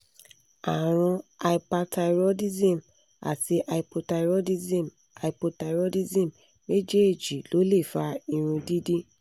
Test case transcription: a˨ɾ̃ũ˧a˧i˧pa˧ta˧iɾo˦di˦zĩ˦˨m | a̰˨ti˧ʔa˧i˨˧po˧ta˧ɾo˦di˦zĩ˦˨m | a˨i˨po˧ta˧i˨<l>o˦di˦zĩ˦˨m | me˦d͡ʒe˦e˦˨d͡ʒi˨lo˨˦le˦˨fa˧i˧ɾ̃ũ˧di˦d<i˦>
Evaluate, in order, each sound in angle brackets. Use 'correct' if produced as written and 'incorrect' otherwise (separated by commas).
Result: incorrect, correct